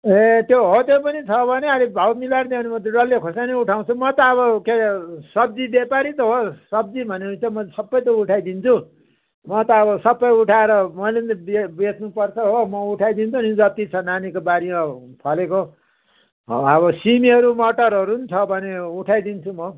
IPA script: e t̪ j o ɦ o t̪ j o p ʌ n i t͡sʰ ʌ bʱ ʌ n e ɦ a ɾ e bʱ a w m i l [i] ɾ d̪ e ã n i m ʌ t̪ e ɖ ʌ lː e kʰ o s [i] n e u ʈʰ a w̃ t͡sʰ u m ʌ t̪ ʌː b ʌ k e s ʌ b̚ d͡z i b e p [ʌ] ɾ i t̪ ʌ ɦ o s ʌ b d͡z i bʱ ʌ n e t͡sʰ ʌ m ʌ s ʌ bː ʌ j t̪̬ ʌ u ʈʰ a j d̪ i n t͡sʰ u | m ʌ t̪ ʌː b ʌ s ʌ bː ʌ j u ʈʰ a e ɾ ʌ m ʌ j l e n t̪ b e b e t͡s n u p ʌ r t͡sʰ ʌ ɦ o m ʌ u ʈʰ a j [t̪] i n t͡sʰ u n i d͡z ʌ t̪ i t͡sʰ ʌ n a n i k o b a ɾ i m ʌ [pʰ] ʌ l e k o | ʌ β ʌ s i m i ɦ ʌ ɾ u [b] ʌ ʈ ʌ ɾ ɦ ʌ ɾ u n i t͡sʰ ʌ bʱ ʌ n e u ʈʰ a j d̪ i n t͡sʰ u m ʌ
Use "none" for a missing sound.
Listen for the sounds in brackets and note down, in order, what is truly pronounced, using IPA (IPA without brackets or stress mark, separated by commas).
a, a, a, d̪, pʰ, m